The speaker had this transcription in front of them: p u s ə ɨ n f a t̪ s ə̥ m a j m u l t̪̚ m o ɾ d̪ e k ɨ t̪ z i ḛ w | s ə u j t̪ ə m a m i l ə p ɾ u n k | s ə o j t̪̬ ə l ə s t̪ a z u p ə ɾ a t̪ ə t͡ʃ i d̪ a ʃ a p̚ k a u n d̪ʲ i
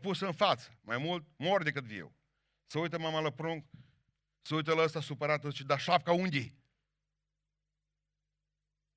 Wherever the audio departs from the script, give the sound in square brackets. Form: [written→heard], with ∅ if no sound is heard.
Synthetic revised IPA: p u s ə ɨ n f a t̪ s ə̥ m a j m u l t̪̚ m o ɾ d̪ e k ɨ t̪ [z→v] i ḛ w | s ə u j t̪ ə m a m [i→a] l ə p ɾ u [n→ŋ] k | s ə [o→u] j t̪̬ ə l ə s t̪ a [z→s] u p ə ɾ a t̪ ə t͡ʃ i d̪ a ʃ a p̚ k a u n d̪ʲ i